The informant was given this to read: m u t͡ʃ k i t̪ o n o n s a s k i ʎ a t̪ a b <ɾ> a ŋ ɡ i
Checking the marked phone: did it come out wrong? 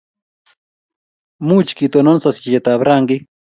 no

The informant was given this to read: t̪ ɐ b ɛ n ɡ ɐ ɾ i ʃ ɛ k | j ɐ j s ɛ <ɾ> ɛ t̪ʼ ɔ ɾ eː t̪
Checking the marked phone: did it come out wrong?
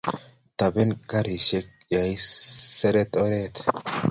no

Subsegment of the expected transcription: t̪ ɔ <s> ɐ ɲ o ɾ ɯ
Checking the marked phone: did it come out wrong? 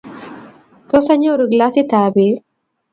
no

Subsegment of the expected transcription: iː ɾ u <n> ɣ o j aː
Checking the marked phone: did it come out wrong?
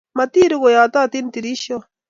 yes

